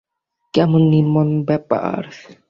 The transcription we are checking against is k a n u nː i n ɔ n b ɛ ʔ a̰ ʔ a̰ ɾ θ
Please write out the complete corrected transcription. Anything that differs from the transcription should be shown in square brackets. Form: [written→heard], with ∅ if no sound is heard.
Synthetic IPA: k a [n→m] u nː i [n→m] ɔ n b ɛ [ʔ→p] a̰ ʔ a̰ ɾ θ